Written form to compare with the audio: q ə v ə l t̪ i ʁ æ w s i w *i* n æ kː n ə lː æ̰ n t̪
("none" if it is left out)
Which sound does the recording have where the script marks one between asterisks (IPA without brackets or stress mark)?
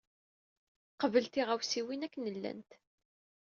i